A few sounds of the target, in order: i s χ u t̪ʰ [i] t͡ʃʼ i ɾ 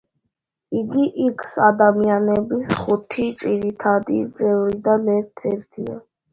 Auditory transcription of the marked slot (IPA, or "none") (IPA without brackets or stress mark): i